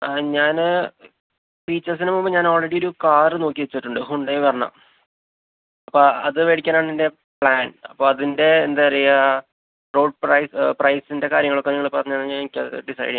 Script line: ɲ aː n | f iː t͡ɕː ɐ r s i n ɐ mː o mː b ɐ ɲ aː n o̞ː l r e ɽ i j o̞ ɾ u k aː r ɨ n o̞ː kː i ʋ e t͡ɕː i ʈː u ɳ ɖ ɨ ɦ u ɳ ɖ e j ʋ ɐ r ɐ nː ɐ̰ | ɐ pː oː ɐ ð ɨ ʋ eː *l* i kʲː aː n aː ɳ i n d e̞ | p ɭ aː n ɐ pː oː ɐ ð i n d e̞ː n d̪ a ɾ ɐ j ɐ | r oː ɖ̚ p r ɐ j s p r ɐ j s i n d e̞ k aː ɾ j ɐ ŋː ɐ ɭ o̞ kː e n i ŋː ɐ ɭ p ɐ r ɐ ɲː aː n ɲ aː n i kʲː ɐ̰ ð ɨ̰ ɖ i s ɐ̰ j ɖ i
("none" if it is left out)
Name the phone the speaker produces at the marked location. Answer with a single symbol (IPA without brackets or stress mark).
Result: ɽ